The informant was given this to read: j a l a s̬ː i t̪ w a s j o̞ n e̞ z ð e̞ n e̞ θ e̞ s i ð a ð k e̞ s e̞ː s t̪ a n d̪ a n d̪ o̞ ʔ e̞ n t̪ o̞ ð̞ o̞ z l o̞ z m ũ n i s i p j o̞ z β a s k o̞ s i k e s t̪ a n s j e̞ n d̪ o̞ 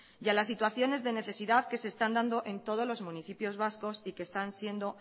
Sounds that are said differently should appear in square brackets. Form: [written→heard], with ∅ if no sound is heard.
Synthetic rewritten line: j a l a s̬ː i t̪ w a [s→θ] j o̞ n e̞ z ð e̞ n e̞ θ e̞ s i ð a ð k e̞ s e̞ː s t̪ a n d̪ a n d̪ o̞ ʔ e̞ n t̪ o̞ ð̞ o̞ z l o̞ z m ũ n i [s→θ] i p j o̞ z β a s k o̞ s i k e s t̪ a n s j e̞ n d̪ o̞